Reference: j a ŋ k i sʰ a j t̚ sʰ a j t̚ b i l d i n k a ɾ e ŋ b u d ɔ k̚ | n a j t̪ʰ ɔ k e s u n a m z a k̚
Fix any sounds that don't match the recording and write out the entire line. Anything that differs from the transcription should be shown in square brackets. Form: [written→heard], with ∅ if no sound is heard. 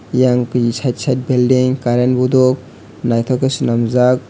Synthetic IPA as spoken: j a ŋ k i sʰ a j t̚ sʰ a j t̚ b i l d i [n→ŋ] k a ɾ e [ŋ→n] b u d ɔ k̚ | n a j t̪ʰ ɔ k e s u n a m z a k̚